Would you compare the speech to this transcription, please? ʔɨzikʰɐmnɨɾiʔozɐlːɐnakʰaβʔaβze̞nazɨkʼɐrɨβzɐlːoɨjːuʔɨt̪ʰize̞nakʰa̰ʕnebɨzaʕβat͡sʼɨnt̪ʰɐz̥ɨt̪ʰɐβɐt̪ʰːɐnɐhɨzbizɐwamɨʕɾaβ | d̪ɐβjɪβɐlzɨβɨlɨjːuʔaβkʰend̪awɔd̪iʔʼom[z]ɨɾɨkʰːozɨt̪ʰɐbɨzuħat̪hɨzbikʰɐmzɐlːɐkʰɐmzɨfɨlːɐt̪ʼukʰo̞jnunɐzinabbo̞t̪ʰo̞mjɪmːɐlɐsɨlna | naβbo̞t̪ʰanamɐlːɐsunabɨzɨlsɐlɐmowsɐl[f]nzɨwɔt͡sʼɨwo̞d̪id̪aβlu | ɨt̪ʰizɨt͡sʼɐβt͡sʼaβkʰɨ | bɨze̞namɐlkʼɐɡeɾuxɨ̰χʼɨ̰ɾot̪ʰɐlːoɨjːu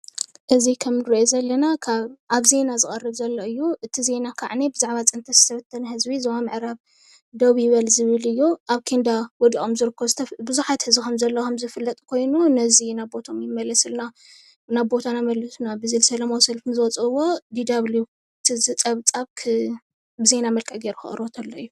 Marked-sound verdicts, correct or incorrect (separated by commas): correct, correct